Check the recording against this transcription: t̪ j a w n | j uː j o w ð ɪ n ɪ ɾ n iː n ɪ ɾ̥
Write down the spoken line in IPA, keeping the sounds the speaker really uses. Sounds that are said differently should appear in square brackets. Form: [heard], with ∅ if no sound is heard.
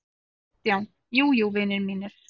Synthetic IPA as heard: t̪ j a w n | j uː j [u] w [v] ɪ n ɪ ɾ [m] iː n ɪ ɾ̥